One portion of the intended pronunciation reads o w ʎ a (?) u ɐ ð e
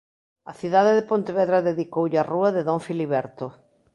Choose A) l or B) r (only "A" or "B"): B